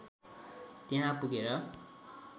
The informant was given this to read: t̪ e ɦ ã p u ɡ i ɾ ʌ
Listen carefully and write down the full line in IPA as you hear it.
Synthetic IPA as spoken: t̪ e ɦ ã p u ɡ e ɾ ʌ